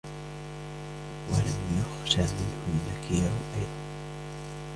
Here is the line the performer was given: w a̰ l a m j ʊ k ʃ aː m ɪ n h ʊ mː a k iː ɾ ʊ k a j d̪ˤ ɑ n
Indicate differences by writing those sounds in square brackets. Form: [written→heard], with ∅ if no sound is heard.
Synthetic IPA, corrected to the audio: w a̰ l a m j ʊ [k→x] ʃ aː m ɪ n h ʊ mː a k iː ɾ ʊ [k→ʔ] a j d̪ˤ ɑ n